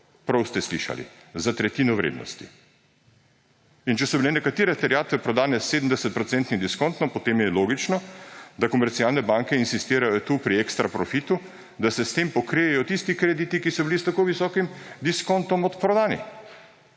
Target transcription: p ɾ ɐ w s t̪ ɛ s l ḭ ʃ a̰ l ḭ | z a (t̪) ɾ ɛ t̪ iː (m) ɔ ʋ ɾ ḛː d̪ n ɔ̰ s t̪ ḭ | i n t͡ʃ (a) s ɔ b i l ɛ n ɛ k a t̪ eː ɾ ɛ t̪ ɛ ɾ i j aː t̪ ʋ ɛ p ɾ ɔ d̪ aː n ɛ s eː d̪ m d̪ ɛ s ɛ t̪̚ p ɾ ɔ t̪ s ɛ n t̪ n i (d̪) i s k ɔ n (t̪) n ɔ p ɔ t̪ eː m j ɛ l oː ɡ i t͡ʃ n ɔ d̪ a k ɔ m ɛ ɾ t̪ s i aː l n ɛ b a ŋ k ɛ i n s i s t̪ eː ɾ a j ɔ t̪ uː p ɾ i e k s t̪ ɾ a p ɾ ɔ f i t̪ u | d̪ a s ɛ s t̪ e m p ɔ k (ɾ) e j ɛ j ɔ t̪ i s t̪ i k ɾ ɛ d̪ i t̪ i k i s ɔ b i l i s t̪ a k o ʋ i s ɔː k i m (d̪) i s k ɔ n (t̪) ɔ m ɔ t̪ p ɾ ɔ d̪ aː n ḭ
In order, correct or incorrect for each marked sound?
correct, incorrect: n, incorrect: ɛ, correct, correct, correct, correct, correct

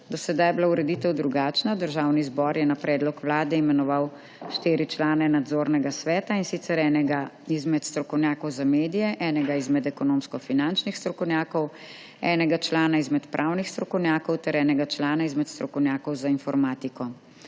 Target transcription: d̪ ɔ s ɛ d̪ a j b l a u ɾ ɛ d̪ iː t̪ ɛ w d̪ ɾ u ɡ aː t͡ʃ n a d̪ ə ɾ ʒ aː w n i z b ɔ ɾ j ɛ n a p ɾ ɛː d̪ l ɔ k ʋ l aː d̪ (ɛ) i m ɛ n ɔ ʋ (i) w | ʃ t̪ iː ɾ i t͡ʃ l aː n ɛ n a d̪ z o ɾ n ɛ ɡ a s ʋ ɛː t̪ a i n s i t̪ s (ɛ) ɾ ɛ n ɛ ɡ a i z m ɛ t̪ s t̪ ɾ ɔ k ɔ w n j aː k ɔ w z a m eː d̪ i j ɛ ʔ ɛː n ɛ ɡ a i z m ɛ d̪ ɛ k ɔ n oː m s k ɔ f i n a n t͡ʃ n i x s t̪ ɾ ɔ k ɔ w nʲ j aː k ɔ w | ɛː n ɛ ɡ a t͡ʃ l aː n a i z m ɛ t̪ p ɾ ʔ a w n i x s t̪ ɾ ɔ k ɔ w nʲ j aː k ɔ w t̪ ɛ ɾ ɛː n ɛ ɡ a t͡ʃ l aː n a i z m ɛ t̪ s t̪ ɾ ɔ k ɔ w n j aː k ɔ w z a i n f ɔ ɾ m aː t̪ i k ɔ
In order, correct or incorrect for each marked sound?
correct, incorrect: a, correct

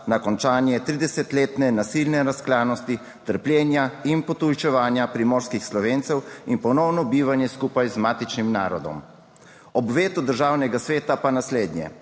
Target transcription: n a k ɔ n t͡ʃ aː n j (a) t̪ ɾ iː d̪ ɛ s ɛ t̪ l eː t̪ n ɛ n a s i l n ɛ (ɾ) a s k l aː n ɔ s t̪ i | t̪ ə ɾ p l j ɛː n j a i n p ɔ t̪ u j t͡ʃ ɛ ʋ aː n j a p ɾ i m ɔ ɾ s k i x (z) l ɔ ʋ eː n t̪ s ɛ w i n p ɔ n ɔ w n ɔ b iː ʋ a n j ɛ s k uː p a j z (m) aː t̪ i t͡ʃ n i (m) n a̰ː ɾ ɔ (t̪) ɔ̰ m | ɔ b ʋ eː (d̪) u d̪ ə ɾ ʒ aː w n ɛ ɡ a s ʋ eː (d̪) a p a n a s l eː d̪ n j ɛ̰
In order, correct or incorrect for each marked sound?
incorrect: ɛ, correct, incorrect: s, correct, correct, incorrect: d̪, incorrect: t̪, incorrect: t̪

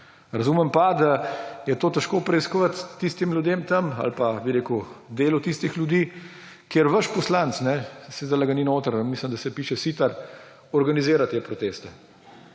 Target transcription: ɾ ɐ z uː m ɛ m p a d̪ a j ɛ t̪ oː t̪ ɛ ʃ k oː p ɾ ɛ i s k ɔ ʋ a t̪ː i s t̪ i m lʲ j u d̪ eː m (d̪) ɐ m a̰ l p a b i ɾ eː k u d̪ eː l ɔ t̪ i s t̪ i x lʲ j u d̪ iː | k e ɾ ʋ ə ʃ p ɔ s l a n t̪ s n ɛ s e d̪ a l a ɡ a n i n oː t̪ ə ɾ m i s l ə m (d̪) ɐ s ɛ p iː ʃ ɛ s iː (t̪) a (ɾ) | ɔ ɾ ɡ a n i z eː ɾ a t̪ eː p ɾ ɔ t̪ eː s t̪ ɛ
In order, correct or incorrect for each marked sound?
incorrect: t̪, correct, correct, correct

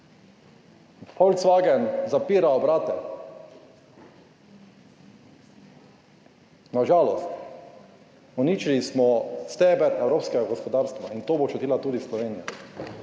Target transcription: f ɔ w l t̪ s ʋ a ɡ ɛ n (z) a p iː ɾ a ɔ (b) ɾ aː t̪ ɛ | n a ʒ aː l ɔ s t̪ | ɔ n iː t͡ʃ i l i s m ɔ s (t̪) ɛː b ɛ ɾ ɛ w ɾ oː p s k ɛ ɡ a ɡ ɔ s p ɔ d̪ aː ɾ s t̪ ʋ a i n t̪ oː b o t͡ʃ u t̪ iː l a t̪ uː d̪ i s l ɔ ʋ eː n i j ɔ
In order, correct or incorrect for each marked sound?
correct, correct, correct

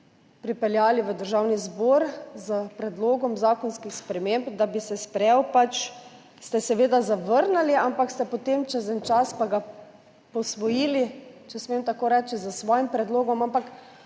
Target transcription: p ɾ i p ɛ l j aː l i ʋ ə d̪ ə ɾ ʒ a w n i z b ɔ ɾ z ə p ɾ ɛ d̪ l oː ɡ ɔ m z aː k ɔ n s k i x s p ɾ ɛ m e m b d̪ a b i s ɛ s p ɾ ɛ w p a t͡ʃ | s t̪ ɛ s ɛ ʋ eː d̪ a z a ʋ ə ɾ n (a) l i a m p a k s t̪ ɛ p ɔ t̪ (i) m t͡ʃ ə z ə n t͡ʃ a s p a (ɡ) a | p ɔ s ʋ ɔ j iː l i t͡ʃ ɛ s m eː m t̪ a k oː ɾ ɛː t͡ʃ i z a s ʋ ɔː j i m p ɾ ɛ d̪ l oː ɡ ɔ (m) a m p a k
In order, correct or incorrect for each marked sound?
correct, incorrect: e, correct, correct

